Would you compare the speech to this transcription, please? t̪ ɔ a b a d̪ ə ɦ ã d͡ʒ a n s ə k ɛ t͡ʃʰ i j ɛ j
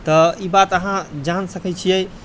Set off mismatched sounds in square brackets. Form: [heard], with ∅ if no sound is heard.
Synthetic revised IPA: t̪ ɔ [i] b a [t̪] ə ɦ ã d͡ʒ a n s ə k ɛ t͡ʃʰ i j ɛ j